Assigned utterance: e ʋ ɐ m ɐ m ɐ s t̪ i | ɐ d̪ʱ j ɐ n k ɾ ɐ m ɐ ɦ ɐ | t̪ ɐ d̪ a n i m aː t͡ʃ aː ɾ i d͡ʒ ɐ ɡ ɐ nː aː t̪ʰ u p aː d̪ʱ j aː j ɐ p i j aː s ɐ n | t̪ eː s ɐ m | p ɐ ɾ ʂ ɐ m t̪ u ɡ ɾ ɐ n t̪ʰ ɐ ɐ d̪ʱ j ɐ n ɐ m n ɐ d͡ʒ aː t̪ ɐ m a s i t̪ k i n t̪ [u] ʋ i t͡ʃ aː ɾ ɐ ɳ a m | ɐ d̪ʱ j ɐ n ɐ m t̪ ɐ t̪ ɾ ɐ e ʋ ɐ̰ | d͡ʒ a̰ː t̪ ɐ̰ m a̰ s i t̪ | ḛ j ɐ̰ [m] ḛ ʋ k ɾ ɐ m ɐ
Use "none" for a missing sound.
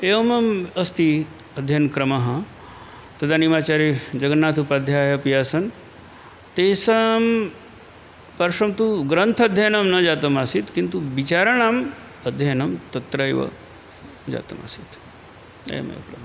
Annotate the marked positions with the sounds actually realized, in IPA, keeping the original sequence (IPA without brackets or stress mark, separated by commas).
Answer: u, m